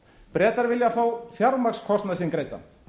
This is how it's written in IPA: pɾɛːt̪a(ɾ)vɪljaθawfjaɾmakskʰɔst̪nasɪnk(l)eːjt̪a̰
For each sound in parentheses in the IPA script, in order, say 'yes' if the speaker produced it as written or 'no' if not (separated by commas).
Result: yes, no